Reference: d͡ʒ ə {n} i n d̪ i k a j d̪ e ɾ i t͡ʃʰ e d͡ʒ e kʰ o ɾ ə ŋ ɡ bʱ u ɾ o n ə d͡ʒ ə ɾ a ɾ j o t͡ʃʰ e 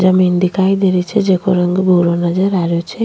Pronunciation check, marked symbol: incorrect: m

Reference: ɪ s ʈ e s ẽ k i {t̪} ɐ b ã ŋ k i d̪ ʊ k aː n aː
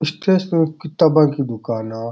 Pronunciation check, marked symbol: correct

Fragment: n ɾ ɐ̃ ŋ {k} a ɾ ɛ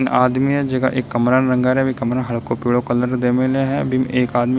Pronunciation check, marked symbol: incorrect: ɡ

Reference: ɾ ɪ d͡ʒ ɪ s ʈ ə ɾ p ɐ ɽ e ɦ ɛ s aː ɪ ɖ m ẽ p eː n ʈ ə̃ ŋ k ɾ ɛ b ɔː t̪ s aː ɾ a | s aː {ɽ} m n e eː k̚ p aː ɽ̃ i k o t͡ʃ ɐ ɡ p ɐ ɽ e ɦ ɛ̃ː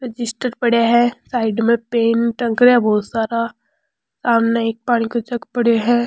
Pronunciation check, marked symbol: incorrect: none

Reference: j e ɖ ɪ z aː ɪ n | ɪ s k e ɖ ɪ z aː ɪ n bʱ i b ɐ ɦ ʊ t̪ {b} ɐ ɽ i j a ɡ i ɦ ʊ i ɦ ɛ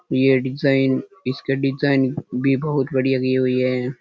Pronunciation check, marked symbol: correct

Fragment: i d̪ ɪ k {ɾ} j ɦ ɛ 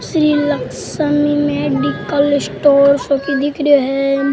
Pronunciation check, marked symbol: correct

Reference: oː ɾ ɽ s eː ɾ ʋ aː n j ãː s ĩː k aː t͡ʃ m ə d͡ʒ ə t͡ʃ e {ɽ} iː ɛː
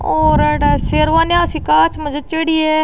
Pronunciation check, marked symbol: correct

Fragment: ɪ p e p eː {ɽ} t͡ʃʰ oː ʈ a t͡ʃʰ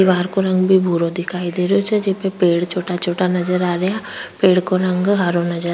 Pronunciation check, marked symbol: correct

